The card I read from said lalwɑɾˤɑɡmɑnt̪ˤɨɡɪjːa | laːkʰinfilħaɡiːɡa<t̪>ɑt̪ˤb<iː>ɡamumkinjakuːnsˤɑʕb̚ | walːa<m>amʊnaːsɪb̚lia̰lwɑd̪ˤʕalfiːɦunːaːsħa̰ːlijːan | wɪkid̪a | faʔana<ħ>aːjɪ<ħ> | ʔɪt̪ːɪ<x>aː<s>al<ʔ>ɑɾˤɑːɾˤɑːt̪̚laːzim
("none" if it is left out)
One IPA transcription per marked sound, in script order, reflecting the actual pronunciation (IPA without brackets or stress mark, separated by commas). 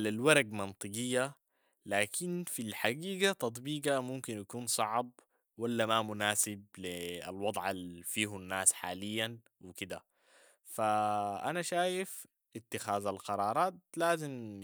t̪, iː, m, ʃ, f, x, z, q